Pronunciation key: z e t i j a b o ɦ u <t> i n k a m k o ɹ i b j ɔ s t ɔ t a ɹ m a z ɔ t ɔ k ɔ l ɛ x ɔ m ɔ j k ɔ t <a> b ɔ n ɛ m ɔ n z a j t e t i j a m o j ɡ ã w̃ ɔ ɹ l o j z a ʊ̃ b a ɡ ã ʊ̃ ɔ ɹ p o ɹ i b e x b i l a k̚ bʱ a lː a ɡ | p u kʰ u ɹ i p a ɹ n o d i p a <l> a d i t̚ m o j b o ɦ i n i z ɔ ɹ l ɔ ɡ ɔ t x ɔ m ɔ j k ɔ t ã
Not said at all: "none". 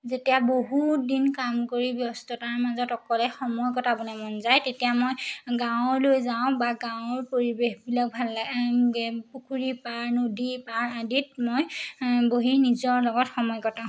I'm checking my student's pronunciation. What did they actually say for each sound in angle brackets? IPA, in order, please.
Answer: d, a, ɹ

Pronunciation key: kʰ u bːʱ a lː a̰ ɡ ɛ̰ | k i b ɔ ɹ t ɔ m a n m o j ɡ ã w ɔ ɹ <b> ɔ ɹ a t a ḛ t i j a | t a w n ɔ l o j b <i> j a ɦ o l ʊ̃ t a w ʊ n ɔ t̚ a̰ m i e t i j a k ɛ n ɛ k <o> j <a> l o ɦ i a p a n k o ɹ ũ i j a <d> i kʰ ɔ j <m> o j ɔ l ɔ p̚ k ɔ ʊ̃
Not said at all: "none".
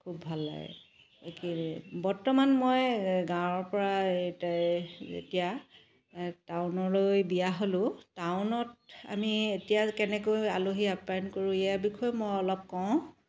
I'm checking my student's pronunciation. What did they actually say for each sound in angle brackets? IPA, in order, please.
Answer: p, i, o, a, b, m

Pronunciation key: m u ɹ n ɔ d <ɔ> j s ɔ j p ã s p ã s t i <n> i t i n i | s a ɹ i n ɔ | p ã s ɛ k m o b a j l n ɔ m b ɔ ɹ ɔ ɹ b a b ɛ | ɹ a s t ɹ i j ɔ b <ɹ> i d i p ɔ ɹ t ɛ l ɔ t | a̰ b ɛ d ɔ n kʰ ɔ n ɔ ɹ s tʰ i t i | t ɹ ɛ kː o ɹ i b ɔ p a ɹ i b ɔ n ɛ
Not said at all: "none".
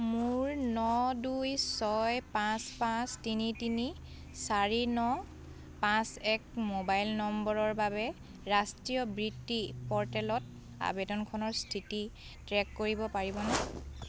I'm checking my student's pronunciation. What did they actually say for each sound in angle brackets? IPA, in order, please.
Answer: u, n, ɹ

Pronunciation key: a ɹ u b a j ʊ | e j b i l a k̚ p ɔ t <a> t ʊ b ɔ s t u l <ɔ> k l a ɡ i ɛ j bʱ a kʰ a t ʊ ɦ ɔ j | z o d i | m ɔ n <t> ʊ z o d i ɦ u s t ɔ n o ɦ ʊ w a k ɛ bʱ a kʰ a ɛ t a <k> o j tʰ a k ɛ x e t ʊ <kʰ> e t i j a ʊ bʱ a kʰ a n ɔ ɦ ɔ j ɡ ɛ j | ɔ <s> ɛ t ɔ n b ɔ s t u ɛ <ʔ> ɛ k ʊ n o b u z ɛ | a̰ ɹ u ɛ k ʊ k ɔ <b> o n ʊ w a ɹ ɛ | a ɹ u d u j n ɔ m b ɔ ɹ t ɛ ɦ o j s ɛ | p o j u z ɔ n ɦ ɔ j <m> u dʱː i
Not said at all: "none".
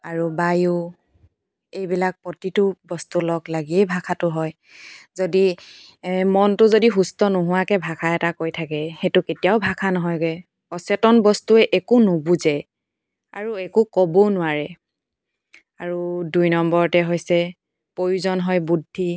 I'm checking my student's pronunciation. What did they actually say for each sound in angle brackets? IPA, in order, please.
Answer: i, ɔ, t, k, k, s, ʔ, b, b

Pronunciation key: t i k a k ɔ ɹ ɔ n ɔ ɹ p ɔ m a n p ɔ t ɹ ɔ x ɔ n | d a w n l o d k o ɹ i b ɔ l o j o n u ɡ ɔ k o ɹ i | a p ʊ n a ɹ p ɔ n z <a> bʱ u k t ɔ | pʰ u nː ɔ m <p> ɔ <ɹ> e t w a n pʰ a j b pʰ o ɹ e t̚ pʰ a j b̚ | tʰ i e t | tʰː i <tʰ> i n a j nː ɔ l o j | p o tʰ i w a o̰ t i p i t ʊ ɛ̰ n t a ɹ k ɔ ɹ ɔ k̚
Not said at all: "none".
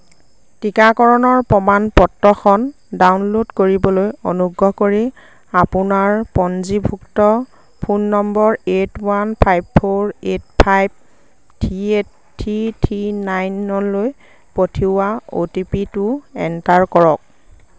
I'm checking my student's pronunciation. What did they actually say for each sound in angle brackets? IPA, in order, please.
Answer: i, b, ɹ, tʰ

